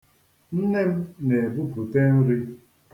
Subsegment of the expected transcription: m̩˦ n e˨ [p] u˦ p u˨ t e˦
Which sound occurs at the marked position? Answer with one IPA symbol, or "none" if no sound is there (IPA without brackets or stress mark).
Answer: b